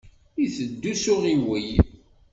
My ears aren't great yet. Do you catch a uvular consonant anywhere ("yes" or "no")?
yes